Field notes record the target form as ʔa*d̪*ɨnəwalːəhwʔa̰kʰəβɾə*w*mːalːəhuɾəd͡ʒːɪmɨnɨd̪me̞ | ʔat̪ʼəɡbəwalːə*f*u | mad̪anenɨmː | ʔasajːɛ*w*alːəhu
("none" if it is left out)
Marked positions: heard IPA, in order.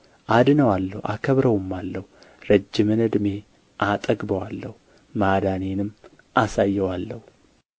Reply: d̪, w, h, w

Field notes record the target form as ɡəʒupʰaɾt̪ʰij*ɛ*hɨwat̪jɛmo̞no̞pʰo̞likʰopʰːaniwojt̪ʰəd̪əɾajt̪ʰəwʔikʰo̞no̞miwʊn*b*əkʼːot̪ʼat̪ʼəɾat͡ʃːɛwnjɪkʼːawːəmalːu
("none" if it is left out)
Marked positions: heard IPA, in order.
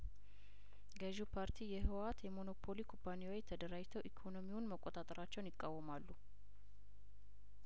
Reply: ɛ, m

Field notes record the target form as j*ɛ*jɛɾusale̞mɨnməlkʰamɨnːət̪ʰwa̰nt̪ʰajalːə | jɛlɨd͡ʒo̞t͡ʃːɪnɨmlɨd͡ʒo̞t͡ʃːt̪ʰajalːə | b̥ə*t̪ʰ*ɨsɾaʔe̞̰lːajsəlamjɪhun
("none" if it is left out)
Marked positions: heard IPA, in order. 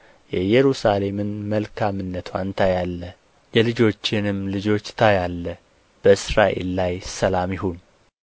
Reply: ɛ, none

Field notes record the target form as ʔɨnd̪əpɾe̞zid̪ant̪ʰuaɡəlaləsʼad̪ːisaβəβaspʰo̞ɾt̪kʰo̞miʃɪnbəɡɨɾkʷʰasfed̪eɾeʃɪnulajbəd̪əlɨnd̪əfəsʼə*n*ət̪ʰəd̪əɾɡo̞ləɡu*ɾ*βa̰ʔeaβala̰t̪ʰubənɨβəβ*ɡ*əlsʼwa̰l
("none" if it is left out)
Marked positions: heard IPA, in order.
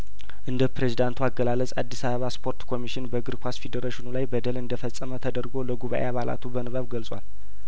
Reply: m, none, ɡ

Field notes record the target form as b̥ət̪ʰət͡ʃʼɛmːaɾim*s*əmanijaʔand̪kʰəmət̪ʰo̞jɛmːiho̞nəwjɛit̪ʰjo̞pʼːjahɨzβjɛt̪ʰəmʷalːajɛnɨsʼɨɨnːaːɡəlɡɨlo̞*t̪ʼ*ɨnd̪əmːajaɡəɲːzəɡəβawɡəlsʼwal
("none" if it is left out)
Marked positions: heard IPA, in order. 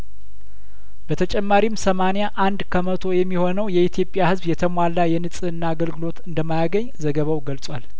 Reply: s, t̪

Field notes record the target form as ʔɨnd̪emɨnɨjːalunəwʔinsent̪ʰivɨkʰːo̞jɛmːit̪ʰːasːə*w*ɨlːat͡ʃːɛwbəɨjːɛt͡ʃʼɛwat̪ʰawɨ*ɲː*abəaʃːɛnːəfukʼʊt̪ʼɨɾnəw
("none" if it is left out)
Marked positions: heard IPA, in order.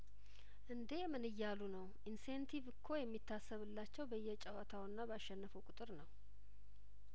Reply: β, nː

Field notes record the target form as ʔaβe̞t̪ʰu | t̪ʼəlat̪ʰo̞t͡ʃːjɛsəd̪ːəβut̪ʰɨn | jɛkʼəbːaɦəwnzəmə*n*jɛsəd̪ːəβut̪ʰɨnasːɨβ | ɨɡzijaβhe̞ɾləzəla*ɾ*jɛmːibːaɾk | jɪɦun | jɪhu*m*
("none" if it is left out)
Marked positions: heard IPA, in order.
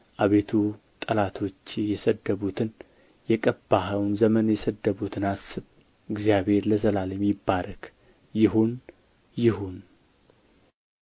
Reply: n, l, n

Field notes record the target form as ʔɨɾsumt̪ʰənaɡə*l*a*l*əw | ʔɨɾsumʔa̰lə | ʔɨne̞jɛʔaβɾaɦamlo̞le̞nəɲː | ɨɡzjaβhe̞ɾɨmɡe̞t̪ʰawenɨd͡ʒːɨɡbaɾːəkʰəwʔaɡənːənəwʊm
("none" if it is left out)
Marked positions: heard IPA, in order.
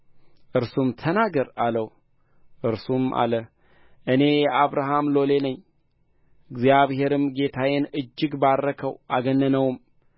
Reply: ɾ, l

